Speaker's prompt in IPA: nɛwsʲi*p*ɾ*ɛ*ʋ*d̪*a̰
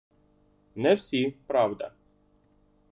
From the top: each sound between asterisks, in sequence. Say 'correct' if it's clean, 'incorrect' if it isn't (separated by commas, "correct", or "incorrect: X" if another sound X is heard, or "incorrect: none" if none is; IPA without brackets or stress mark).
correct, incorrect: a, correct